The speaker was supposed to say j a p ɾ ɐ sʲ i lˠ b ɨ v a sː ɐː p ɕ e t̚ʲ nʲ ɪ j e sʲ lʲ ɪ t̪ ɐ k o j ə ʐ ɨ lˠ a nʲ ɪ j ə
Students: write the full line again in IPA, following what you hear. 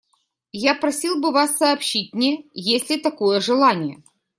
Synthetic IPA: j a p ɾ ɐ sʲ i lˠ b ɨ v a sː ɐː p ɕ i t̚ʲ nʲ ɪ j e sʲ lʲ ɪ t̪ ɐ k o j ə ʐ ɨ lˠ a nʲ ɪ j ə